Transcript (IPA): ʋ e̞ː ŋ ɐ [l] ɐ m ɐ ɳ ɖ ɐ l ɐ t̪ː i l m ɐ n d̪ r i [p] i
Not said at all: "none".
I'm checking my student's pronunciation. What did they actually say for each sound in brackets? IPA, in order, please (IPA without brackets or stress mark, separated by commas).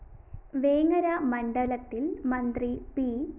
ɾ, p